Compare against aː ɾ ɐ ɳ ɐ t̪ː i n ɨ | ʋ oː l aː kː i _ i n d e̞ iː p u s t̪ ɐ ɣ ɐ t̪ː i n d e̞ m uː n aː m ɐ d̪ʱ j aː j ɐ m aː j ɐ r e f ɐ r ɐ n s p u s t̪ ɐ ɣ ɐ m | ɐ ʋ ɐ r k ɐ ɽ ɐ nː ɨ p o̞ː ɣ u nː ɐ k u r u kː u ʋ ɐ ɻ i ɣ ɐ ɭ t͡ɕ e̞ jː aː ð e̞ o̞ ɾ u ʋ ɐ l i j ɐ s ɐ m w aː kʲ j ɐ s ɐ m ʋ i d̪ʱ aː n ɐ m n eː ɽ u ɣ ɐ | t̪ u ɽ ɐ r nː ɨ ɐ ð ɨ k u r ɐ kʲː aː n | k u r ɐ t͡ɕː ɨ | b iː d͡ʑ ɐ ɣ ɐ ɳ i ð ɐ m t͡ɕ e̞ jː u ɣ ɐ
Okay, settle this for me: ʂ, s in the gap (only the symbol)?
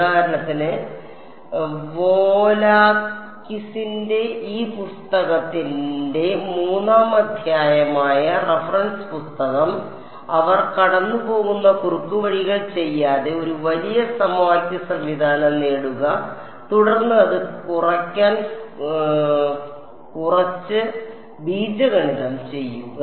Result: s